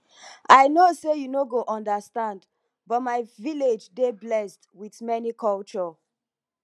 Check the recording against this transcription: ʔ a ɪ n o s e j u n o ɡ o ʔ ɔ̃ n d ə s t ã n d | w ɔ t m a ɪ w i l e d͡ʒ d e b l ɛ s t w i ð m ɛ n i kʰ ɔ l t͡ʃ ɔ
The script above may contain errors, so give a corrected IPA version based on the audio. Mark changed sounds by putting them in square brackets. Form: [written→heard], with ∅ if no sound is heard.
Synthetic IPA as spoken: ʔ a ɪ n o s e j u n o ɡ o ʔ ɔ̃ n d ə s t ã n d | [w→b] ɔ t m a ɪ [w→v] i l e d͡ʒ d e b l ɛ s t w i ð m ɛ n i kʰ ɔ l t͡ʃ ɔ